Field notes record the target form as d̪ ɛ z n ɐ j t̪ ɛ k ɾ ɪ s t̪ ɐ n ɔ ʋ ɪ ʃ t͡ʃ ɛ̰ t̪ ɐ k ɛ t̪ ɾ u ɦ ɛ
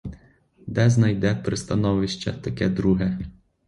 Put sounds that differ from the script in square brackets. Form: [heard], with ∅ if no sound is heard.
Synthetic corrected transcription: d̪ ɛ z n ɐ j [d̪] ɛ [p] ɾ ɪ s t̪ ɐ n ɔ ʋ ɪ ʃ t͡ʃ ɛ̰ t̪ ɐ k ɛ [d̪] ɾ u ɦ ɛ